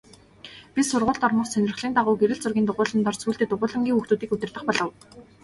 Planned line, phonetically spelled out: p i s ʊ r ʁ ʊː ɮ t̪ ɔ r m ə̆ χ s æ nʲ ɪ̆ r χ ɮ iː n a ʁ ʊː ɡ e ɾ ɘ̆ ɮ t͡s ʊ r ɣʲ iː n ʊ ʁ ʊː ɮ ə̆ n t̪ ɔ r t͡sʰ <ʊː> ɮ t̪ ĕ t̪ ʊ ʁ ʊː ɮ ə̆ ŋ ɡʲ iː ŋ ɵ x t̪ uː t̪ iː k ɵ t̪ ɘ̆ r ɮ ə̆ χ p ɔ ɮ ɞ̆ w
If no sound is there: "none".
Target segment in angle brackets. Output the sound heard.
uː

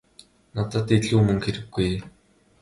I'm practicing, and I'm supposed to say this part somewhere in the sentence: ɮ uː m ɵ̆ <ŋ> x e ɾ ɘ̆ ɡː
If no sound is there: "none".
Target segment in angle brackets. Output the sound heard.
ŋ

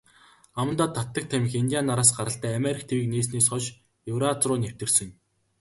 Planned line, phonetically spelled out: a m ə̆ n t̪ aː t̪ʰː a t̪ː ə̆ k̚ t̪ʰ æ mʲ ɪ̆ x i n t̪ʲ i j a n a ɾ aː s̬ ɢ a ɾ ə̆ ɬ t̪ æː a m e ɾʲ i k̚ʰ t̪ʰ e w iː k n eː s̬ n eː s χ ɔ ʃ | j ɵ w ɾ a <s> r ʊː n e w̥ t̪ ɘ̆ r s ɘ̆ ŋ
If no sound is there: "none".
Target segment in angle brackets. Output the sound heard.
t͡s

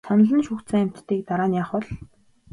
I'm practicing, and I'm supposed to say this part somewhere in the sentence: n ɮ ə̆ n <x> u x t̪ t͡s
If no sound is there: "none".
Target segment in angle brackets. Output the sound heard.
ʃ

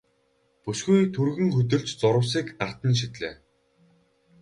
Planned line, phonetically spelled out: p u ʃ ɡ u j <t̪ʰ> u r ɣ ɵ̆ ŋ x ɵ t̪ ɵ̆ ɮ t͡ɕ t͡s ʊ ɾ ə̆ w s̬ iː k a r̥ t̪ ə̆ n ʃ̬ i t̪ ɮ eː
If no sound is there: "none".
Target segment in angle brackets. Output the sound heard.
t̪ʰ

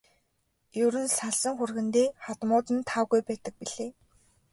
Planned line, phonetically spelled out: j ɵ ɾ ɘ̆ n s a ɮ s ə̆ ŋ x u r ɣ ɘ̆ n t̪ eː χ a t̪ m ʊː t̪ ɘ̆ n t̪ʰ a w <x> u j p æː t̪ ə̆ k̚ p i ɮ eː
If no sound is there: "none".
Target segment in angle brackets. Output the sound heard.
ɣ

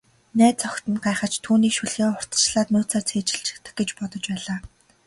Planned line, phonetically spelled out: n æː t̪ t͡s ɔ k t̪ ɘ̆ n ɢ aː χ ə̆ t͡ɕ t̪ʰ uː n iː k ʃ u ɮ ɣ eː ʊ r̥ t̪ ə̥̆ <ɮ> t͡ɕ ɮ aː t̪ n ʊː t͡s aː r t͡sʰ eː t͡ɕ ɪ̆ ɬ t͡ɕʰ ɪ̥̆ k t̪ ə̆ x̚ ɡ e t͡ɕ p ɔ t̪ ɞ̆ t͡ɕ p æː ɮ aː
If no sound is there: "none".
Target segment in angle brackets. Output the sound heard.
none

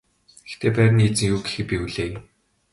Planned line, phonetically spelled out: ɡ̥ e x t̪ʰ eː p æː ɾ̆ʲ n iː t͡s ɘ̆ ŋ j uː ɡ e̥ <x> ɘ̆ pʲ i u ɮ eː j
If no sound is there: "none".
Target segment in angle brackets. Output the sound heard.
x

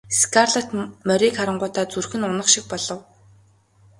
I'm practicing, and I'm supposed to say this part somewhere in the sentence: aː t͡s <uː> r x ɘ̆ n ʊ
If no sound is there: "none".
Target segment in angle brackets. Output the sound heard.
u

